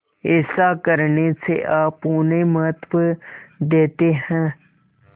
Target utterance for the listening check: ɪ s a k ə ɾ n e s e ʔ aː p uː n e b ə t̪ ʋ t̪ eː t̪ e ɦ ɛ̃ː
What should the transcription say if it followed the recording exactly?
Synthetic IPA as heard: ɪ s a k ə ɾ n e s e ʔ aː p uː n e m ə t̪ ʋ d̪ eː t̪ e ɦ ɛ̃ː